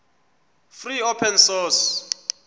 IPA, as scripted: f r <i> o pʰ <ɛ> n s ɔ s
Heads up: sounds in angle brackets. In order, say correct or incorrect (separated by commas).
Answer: correct, correct